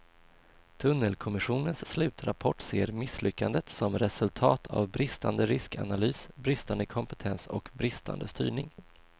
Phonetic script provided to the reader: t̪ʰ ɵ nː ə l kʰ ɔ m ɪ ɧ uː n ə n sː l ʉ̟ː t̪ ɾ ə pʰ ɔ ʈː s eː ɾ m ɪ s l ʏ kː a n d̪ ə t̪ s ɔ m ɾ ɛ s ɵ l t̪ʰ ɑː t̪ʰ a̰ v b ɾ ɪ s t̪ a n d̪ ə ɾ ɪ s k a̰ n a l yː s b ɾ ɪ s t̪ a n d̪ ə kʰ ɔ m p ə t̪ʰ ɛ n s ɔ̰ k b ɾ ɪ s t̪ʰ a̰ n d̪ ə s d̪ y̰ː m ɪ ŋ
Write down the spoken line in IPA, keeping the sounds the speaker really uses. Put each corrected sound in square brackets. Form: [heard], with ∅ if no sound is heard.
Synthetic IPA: t̪ʰ ɵ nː ə l kʰ ɔ m ɪ ɧ uː n ə n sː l ʉ̟ː t̪ ɾ [a] pʰ ɔ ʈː s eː ɾ m ɪ s l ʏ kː a n d̪ ə t̪ s ɔ m ɾ ɛ s ɵ l t̪ʰ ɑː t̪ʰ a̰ v b ɾ ɪ s t̪ a n d̪ ə ɾ ɪ s k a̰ n a l yː s b ɾ ɪ s t̪ a n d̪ ə kʰ ɔ m p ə t̪ʰ ɛ n s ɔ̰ k b ɾ ɪ s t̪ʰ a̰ n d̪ ə s [t̪] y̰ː [ɳ] ɪ ŋ